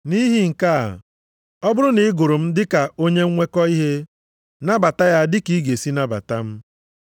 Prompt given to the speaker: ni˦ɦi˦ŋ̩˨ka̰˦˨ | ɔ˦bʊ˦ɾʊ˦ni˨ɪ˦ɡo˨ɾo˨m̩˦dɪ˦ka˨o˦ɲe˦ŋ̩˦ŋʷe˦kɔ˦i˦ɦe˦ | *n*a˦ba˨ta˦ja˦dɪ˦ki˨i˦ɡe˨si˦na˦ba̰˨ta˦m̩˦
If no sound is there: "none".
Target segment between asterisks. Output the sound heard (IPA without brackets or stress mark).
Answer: n